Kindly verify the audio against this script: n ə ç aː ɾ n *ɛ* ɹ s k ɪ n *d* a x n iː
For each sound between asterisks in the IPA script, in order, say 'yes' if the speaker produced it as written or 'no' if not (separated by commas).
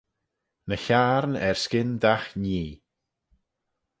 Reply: yes, yes